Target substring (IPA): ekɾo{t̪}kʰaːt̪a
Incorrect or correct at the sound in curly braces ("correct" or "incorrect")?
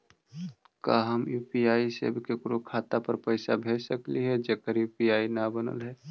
incorrect